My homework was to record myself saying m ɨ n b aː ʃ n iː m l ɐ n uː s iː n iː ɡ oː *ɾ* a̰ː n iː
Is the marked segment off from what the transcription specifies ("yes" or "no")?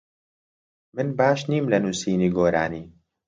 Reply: no